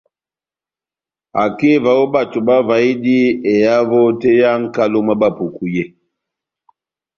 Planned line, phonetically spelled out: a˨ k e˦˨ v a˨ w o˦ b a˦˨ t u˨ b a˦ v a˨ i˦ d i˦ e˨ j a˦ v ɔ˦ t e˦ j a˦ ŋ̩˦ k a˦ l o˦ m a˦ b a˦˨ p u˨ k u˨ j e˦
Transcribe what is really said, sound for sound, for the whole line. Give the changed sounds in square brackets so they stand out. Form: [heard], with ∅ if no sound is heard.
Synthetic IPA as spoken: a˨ k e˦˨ v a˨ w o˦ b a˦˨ t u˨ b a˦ v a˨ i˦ d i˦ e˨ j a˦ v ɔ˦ t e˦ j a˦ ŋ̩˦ k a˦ l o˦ m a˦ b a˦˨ p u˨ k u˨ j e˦